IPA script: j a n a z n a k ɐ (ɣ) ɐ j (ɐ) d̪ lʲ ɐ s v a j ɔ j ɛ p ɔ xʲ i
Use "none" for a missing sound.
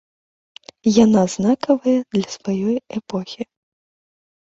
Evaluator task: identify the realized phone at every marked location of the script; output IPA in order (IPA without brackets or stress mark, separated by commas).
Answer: v, ɐ